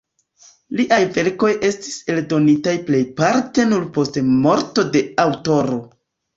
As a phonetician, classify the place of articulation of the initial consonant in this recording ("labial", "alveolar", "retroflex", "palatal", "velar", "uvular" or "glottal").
alveolar